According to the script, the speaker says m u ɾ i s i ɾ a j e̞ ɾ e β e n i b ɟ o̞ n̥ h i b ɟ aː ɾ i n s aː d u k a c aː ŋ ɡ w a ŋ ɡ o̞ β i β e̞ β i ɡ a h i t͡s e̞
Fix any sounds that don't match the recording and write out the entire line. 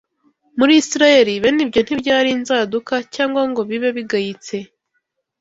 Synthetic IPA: m u ɾ i s i ɾ a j e̞ ɾ i β e n i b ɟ o̞ n̥ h i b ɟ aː ɾ i n z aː d u k a c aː ŋ ɡ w a ŋ ɡ o̞ β i β e̞ β i ɡ a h i t͡s e̞